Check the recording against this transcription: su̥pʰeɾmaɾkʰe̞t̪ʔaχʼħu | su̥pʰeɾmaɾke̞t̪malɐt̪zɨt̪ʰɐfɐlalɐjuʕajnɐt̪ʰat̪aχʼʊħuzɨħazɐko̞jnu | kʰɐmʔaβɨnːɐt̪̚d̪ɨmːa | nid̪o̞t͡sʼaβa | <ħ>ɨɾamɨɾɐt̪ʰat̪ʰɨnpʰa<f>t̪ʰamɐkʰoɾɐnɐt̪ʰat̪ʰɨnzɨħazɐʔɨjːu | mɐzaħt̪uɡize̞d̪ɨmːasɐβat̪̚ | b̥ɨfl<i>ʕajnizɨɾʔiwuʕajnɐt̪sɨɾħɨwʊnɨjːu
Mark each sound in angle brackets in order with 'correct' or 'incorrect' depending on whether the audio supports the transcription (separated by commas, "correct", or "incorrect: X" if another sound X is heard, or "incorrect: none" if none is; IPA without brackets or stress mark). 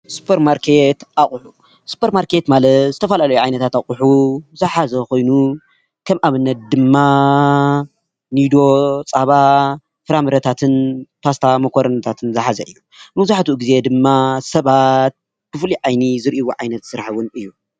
incorrect: f, incorrect: s, correct